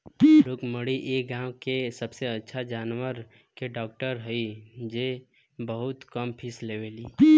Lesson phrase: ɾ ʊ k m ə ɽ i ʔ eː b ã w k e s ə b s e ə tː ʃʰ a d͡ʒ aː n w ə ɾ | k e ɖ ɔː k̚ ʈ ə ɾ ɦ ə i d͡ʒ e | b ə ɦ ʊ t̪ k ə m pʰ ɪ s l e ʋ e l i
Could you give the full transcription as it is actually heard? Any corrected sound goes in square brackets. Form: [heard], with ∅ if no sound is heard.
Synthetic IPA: ɾ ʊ k m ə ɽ i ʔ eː [ɡ] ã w k e s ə b s e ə tː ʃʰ a d͡ʒ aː n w ə ɾ | k e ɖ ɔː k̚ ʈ ə ɾ ɦ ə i d͡ʒ e | b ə ɦ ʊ t̪ k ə m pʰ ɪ s l e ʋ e l i